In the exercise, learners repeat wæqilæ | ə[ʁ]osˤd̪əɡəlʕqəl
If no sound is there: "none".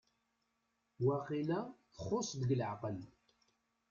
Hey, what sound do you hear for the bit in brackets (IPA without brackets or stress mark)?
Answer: χ